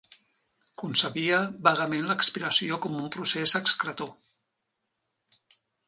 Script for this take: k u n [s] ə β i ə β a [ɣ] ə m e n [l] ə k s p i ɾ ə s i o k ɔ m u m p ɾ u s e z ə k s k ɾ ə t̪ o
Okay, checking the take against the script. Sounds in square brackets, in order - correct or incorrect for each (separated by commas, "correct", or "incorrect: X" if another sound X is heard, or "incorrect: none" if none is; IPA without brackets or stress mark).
correct, correct, correct